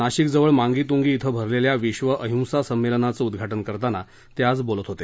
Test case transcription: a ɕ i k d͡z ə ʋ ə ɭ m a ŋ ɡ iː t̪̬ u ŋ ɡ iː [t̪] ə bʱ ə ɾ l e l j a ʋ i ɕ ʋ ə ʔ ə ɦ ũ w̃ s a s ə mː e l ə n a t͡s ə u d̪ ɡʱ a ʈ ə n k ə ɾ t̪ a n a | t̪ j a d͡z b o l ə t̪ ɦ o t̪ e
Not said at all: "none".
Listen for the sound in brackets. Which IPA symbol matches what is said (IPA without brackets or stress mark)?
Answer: t̪ʰ